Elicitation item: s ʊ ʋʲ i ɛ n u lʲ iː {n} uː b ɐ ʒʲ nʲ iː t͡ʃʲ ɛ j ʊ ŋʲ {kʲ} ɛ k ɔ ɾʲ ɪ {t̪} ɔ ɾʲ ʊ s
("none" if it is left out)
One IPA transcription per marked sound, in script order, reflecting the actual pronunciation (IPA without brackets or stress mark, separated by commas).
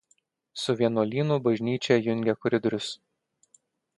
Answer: n, ɡʲ, d̪